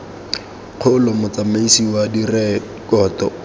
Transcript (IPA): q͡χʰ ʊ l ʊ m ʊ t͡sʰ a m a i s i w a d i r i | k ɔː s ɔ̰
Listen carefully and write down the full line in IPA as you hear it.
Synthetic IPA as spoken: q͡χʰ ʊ l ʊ m ʊ t͡s a m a i s i w a d i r ɛ | k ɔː t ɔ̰